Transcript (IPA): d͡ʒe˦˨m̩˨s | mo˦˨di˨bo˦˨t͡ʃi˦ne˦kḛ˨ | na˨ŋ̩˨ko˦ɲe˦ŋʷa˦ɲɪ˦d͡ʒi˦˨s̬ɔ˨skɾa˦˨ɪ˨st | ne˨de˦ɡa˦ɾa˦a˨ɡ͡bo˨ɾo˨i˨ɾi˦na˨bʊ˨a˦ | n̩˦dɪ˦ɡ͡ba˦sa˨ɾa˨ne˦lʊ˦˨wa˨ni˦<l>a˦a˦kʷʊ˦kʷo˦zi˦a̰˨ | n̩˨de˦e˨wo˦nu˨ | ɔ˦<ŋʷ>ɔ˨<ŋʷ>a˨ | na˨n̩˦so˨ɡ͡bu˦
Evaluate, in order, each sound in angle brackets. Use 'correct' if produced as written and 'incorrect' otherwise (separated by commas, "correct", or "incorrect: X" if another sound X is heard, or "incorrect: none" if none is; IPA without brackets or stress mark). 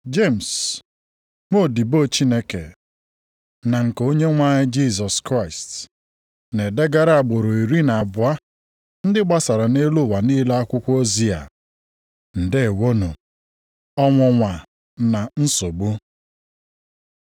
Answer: correct, correct, correct